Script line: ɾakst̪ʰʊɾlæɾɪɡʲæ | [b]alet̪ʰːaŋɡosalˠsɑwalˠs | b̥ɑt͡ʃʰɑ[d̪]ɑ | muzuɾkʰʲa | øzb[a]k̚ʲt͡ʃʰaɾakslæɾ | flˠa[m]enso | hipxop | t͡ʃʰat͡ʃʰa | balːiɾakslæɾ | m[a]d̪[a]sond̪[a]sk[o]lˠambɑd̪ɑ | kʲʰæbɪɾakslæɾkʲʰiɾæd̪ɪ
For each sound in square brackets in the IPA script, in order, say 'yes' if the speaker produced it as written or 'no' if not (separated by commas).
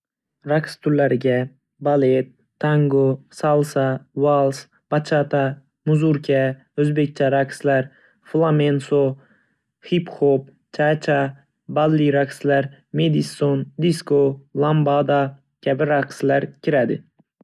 yes, no, no, yes, no, no, no, yes